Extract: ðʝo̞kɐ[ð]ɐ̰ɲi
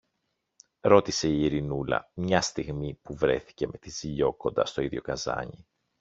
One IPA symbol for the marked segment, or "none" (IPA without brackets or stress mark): z